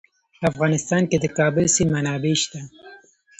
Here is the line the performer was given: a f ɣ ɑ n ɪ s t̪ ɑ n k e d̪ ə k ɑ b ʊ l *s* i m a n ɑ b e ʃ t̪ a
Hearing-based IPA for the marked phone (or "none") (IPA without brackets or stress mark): s